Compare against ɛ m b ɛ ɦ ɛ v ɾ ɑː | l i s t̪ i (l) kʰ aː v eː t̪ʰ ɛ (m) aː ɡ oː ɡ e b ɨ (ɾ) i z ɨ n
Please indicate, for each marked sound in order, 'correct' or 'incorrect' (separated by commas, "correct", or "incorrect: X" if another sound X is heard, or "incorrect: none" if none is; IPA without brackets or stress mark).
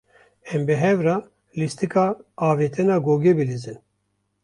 incorrect: none, incorrect: n, incorrect: l